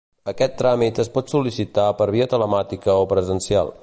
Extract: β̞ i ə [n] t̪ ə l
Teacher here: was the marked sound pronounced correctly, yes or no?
no